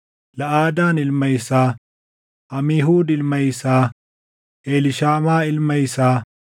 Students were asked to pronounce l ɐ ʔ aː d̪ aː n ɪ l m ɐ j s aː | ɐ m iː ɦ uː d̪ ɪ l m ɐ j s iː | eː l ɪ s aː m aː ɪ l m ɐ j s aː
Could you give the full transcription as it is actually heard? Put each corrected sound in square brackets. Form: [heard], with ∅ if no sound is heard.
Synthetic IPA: l ɐ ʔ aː d̪ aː n ɪ l m ɐ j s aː | ɐ m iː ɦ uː d̪ ɪ l m ɐ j s [aː] | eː l ɪ [ʃ] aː m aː ɪ l m ɐ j s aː